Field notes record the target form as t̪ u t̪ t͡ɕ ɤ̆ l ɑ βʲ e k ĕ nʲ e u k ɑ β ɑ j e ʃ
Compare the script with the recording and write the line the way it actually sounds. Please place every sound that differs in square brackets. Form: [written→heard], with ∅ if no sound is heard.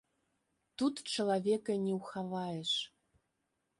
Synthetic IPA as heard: t̪ u t̪ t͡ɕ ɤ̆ l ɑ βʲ e k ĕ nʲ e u [k→x] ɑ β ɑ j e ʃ